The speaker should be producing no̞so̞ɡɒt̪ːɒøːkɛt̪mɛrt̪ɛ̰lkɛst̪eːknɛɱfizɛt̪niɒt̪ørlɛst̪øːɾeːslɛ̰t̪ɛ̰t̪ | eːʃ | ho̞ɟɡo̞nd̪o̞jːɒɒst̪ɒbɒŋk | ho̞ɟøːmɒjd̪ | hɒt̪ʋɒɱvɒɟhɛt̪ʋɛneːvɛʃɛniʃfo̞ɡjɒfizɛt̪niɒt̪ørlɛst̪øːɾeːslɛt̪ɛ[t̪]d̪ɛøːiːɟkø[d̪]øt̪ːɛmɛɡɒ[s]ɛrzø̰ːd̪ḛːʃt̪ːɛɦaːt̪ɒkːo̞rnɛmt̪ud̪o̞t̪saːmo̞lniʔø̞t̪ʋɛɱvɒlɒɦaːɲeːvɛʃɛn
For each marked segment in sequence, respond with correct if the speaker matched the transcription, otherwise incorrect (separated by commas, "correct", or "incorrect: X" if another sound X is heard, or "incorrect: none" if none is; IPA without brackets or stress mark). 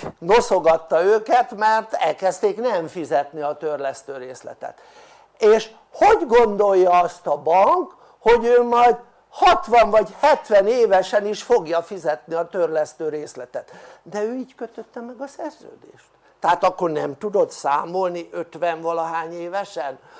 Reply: correct, incorrect: t̪, correct